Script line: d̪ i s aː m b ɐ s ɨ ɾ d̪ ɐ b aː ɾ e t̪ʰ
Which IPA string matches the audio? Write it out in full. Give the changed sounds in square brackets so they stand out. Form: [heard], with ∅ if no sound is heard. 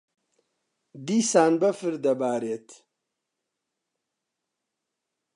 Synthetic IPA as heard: d̪ i s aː [n] b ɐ [f] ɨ ɾ d̪ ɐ b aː ɾ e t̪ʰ